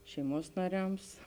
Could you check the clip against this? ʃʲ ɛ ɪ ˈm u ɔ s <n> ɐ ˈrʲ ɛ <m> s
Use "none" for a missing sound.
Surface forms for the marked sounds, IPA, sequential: n, m

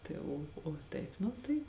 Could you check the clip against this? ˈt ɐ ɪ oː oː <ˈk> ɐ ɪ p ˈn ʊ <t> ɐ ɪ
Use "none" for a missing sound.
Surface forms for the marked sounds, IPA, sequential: t, t

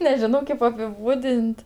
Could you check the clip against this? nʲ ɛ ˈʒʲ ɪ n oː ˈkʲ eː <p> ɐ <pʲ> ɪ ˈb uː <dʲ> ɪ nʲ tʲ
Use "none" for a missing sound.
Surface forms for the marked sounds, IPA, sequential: p, pʲ, dʲ

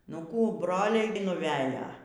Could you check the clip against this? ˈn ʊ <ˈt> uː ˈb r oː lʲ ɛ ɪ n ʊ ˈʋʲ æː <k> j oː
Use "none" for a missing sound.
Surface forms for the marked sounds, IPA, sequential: k, none

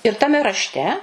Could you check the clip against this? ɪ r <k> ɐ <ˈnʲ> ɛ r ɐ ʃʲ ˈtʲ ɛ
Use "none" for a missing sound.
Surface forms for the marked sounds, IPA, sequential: t, mʲ

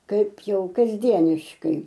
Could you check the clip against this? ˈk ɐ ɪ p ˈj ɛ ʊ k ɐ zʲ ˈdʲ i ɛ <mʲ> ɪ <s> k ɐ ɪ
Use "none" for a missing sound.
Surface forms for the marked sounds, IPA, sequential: nʲ, ʃ

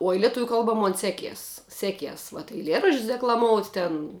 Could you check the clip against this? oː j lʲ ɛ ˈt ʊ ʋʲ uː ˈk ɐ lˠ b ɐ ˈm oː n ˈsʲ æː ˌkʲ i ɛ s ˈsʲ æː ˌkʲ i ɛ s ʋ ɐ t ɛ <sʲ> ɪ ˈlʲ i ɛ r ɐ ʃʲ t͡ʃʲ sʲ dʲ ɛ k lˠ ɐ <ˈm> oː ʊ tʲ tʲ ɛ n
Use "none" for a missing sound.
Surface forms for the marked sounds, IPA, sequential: none, m

